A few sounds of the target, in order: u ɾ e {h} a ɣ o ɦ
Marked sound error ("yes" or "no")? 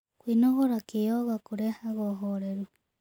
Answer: no